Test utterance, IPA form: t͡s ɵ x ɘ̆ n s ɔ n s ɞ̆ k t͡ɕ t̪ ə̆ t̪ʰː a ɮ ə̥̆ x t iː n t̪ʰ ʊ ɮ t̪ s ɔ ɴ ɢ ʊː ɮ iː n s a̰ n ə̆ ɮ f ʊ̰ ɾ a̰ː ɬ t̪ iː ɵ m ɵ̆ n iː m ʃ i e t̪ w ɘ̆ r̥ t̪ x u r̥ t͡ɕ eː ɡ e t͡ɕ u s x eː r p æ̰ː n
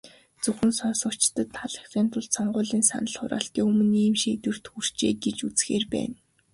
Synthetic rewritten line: t͡s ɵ x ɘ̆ n s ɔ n s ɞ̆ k t͡ɕ t̪ ə̆ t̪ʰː a ɮ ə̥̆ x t iː n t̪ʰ ʊ ɮ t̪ s ɔ ɴ ɢ ʊː ɮ iː n s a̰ n ə̆ ɮ χ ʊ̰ ɾ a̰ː ɬ t̪ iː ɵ m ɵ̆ n iː m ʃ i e t̪ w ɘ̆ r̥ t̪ x u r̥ t͡ɕ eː ɡ e t͡ɕ u t͡s x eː r p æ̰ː n